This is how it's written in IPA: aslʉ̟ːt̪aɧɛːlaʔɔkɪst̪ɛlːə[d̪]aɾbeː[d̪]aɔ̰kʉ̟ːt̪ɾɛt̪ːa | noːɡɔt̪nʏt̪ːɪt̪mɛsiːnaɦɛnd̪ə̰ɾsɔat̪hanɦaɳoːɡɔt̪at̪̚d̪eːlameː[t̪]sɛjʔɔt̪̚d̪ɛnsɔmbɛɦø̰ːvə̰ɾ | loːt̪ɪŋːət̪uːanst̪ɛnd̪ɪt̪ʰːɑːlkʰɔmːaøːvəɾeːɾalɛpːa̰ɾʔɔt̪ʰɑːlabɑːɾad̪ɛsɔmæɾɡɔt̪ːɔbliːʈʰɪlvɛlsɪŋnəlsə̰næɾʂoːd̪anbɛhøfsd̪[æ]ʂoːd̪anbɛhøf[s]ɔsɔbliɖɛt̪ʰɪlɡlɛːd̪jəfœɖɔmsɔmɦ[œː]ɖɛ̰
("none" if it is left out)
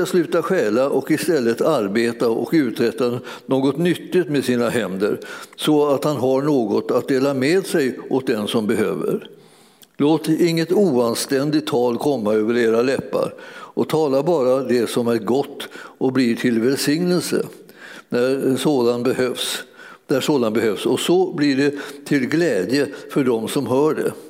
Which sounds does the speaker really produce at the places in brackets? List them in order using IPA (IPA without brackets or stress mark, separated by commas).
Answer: t̪, t̪, d̪, æ, s, œː